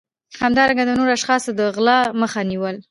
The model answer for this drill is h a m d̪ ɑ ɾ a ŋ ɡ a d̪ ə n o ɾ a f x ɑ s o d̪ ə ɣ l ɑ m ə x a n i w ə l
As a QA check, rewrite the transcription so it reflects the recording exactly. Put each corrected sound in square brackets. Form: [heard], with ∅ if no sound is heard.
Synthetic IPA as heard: h a m d̪ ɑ ɾ a ŋ ɡ a d̪ ə n o ɾ a [ʃ] x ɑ s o d̪ ə ɣ l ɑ m ə x a n i w ə l